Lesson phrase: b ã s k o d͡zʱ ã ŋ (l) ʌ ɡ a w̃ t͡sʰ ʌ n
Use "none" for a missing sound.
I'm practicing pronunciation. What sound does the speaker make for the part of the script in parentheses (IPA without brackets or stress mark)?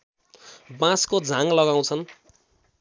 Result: l